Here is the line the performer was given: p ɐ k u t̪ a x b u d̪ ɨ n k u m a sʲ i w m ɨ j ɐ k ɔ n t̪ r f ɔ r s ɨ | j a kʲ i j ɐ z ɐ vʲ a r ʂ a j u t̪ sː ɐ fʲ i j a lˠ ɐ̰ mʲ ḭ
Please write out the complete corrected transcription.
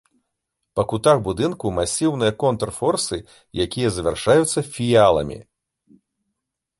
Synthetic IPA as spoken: p ɐ k u t̪ a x b u d̪ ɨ n k u m a sʲ i w n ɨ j ɐ k ɔ n t̪ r f ɔ r s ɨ | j a kʲ i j ɐ z ɐ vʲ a r ʂ a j u t̪ sː ɐ fʲ i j a lˠ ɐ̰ mʲ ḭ